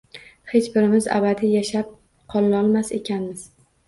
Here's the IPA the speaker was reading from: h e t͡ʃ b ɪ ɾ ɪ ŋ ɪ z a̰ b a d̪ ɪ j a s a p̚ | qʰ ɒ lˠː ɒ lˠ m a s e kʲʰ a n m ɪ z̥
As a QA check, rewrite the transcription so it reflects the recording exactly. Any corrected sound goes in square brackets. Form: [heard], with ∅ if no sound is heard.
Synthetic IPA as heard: h e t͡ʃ b ɪ ɾ ɪ [m] ɪ z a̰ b a d̪ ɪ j a [ʃ] a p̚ | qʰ ɒ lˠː ɒ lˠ m a s e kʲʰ a n m ɪ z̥